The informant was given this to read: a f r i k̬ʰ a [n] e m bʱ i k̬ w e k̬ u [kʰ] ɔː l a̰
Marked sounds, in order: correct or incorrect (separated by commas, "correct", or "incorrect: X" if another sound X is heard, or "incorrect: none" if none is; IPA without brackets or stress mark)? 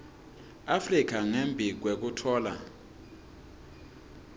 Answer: incorrect: ŋ, incorrect: tʰ